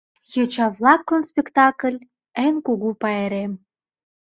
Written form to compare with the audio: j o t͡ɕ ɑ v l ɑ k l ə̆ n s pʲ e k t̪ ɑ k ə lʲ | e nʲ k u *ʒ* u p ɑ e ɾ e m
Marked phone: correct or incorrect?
incorrect: ɣ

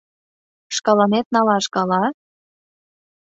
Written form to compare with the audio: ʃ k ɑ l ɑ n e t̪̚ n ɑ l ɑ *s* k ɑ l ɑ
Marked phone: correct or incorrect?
incorrect: ʃ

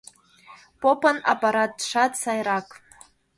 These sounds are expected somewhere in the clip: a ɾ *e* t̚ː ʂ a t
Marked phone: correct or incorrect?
incorrect: a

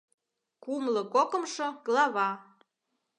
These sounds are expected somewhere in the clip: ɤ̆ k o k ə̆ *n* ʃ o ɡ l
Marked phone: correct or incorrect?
incorrect: m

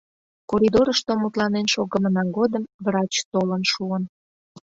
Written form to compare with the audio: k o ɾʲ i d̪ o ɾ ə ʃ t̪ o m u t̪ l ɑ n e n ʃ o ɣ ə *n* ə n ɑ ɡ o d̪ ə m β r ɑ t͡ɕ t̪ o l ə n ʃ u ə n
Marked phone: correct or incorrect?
incorrect: m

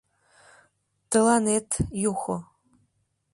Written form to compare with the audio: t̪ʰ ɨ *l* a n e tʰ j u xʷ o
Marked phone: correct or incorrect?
correct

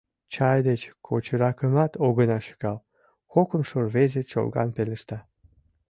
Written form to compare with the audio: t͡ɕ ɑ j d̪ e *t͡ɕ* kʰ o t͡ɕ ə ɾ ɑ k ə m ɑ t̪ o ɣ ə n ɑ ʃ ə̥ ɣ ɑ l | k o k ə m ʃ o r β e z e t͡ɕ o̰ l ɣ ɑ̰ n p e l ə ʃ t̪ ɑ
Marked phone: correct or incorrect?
correct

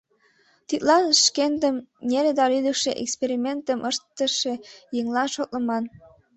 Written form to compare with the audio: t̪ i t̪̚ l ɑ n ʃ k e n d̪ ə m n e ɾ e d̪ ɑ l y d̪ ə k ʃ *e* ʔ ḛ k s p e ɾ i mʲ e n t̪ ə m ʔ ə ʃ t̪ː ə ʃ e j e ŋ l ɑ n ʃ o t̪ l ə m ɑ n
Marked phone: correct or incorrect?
correct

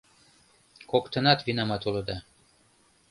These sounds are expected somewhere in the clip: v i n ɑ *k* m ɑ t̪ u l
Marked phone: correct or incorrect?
incorrect: none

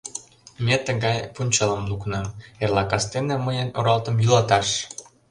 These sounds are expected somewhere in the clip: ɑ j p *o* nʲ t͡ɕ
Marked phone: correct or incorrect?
incorrect: u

